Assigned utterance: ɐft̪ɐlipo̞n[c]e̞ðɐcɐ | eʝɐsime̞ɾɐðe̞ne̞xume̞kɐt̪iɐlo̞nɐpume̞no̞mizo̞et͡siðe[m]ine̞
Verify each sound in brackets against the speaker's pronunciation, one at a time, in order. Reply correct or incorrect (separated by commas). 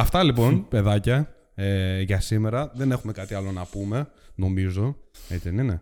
incorrect, incorrect